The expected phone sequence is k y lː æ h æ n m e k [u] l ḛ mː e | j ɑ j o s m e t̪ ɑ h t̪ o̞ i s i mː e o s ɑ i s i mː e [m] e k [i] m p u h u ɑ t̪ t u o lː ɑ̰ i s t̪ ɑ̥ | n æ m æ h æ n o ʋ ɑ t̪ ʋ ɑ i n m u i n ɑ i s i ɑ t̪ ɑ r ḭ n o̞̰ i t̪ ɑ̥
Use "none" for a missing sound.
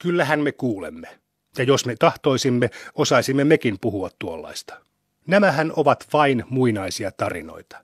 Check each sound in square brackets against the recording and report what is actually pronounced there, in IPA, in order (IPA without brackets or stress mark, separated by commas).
uː, m, i